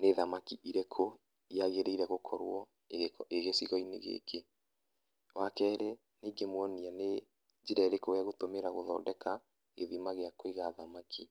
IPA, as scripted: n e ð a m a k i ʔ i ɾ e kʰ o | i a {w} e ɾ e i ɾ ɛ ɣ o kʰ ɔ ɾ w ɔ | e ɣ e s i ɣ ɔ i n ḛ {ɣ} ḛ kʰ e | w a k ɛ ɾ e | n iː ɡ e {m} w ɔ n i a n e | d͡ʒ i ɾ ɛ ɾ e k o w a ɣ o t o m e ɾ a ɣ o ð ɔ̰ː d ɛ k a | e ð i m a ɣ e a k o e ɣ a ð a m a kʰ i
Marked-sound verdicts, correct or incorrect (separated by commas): incorrect, correct, correct